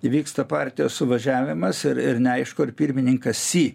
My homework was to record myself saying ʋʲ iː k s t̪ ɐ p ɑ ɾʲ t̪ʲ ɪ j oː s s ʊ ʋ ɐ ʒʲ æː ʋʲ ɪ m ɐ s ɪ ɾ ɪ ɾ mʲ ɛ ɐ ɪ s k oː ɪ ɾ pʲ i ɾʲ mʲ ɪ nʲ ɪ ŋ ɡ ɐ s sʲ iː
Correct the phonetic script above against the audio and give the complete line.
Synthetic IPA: ʋʲ iː k s t̪ ɐ p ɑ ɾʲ t̪ʲ ɪ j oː s s ʊ ʋ ɐ ʒʲ æː ʋʲ ɪ m ɐ s ɪ ɾ ɪ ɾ nʲ ɛ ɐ ɪ ʃ k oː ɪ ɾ pʲ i ɾʲ mʲ ɪ nʲ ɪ ŋ k ɐ s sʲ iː